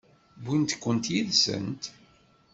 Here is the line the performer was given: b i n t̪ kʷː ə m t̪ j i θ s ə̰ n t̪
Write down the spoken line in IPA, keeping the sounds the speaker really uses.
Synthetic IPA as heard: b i n t̪ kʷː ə n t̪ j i ð s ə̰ n t̪